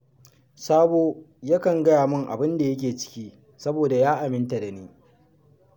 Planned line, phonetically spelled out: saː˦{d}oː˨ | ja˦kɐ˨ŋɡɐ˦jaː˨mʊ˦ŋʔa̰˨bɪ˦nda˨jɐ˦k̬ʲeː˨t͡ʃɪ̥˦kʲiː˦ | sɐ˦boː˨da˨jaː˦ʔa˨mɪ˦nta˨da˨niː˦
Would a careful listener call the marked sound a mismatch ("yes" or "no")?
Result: yes